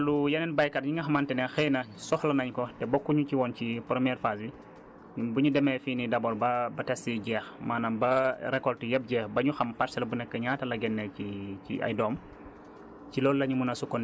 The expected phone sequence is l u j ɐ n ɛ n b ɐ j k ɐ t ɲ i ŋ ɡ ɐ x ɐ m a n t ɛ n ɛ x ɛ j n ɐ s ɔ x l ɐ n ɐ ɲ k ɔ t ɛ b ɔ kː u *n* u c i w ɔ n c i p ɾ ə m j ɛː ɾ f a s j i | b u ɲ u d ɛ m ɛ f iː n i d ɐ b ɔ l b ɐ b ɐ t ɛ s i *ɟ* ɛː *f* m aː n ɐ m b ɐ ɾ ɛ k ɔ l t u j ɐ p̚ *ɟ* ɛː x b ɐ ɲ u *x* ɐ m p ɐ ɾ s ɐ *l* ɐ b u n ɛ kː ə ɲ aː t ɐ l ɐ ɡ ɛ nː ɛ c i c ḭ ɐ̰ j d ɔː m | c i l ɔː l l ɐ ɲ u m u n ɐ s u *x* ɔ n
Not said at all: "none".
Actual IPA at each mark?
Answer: ɲ, ɟ, x, ɟ, x, l, k

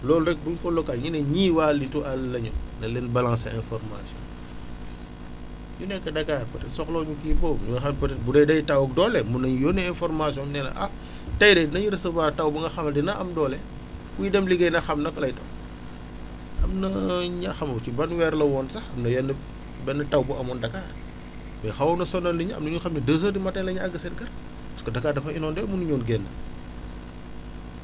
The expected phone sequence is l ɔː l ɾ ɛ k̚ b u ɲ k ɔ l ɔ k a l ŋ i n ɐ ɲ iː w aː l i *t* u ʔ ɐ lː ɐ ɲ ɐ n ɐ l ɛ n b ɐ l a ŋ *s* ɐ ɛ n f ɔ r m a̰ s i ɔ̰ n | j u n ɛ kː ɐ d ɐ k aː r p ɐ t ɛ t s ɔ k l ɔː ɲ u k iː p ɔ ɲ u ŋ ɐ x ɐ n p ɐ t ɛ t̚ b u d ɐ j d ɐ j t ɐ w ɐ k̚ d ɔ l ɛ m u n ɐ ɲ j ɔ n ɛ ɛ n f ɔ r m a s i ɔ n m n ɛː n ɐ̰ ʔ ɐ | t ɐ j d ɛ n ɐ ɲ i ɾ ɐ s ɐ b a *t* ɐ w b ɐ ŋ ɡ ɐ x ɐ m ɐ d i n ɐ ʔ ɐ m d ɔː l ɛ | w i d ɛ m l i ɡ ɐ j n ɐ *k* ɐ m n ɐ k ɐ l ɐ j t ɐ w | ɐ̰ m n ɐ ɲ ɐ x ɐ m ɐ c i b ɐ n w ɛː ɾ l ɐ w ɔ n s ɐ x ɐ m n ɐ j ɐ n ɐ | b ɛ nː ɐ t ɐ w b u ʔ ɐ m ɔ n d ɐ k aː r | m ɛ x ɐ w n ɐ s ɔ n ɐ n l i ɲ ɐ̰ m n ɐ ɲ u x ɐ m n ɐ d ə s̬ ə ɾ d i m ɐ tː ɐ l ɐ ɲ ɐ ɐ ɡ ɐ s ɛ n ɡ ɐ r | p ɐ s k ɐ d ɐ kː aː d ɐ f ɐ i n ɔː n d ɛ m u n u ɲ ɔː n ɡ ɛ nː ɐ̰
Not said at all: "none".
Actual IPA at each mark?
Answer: t, s, t, x

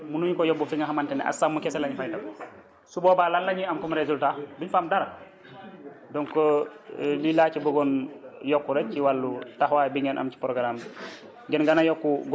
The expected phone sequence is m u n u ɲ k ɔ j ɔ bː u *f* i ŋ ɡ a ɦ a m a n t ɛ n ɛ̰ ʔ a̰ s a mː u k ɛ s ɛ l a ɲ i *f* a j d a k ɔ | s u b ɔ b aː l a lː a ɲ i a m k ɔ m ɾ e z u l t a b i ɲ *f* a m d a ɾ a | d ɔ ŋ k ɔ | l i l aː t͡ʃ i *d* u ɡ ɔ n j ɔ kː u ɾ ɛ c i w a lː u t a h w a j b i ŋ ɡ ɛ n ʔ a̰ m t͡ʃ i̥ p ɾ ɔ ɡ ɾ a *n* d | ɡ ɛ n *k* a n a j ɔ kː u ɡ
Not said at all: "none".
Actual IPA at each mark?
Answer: f, f, f, b, m, ɡ

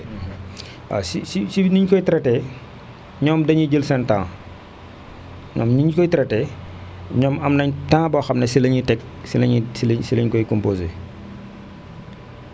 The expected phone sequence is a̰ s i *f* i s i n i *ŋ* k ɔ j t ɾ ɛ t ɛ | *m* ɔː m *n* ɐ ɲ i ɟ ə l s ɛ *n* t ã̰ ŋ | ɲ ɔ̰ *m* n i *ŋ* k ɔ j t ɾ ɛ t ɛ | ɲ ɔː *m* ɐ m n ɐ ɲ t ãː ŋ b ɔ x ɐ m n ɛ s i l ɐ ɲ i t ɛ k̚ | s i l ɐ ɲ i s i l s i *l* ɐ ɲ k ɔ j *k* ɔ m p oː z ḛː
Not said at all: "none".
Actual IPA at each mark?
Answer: s, ɲ, ɲ, d, n, m, ɲ, m, l, k

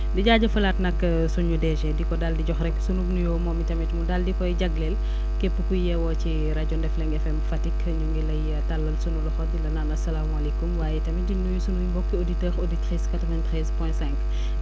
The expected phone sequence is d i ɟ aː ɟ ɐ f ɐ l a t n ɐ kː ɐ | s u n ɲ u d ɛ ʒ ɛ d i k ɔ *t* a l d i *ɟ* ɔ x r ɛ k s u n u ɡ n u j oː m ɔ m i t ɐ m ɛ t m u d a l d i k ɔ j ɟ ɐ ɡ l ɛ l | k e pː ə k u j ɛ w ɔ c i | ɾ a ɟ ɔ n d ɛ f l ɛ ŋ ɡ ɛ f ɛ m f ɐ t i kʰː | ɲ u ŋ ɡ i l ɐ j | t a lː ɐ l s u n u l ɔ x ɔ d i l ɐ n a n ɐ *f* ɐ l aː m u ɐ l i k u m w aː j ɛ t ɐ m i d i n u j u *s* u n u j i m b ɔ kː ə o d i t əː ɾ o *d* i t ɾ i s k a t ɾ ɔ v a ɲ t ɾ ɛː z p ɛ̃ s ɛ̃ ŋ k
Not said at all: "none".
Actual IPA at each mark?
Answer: d, ɟ, s, s, d

